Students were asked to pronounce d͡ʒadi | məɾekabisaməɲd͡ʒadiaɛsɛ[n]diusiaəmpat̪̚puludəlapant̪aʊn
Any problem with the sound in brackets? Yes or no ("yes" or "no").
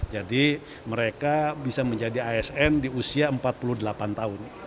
no